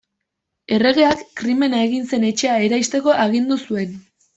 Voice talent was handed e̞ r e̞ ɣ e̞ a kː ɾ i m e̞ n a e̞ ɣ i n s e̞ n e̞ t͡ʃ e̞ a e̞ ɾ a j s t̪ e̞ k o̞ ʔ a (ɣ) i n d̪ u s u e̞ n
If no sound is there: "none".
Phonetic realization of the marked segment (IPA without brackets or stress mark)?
ɣ